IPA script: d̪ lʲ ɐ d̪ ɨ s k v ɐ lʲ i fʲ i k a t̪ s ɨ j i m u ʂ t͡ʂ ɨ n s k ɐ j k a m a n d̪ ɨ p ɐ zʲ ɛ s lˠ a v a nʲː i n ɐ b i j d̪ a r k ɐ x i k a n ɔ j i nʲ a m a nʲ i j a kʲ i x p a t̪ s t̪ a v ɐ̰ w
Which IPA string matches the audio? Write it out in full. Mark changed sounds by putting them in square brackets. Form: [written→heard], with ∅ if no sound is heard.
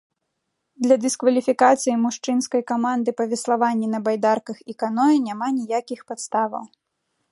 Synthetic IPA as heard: d̪ lʲ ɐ d̪ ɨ s k v ɐ lʲ i fʲ i k a t̪ s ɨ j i m u ʂ t͡ʂ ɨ n s k ɐ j k a m a n d̪ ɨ p ɐ [zʲ→vʲ] ɛ s lˠ a v a nʲː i n ɐ b [i→a] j d̪ a r k ɐ x i k a n ɔ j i nʲ a m a nʲ i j a kʲ i x p a t̪ s t̪ a v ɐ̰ w